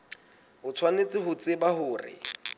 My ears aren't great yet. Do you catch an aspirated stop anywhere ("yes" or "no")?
yes